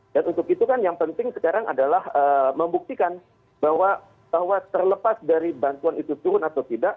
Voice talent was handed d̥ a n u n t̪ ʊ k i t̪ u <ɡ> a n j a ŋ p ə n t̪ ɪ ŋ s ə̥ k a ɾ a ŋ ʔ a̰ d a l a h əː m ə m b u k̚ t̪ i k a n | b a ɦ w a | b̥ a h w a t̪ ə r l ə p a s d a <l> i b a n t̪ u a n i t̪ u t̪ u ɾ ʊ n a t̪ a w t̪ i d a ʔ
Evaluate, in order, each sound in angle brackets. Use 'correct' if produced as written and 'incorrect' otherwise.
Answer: incorrect, incorrect

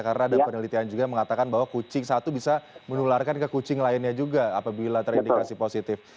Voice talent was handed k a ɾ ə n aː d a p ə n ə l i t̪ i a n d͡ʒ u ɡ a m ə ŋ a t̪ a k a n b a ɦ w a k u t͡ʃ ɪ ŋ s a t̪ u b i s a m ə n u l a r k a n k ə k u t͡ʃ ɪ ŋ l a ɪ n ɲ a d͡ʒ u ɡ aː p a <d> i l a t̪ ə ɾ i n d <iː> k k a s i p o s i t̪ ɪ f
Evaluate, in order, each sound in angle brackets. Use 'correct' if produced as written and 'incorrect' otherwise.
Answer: incorrect, incorrect

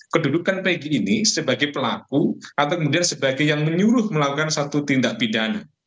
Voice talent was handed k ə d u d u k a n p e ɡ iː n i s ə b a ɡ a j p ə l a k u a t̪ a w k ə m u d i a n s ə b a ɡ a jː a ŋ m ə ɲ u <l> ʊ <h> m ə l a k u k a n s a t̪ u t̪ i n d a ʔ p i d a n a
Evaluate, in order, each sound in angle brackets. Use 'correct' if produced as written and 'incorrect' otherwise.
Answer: incorrect, correct

